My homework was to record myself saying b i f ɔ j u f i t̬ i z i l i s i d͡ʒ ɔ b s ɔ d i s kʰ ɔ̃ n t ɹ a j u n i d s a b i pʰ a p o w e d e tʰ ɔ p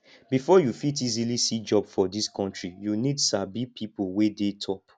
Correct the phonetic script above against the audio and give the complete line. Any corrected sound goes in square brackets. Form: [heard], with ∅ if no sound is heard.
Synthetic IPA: b i f ɔ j u f i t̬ i z i l i s i d͡ʒ ɔ b [f] ɔ d i s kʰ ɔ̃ n t ɹ [i] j u n i d s a b i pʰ [i] p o w e d e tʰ ɔ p